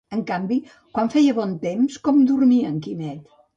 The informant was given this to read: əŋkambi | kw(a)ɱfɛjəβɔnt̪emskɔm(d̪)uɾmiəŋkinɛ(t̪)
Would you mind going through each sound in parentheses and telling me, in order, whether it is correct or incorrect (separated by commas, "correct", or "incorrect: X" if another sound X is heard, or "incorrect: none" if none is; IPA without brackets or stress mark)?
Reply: correct, correct, correct